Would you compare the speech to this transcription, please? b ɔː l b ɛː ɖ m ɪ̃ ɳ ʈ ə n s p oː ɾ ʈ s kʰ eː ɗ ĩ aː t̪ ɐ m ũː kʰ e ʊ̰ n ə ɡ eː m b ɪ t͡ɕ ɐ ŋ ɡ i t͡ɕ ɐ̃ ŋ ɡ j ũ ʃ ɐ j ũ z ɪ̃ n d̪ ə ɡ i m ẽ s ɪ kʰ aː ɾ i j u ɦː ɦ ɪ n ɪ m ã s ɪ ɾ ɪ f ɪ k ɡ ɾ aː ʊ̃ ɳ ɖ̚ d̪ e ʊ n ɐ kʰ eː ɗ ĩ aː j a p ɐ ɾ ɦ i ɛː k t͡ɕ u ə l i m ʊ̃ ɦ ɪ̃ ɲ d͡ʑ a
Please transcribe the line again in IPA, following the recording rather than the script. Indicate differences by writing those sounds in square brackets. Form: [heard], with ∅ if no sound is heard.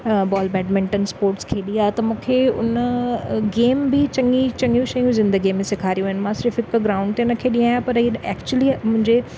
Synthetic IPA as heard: b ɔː l b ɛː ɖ m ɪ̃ ɳ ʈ ə n s p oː ɾ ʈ s kʰ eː ɗ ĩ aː t̪ ɐ m ũː kʰ e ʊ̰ n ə ɡ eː m b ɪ t͡ɕ ɐ ŋ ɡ i t͡ɕ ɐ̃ ŋ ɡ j ũ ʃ ɐ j ũ z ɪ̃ n d̪ ə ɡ i m ẽ s ɪ kʰ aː ɾ i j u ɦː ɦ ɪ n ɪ m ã s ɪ ɾ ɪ f ɪ k ɡ ɾ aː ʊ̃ ɳ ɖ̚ [t̪] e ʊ n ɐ kʰ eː ɗ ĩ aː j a p ɐ ɾ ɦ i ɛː k t͡ɕ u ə l i m ʊ̃ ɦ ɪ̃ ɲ d͡ʑ [e]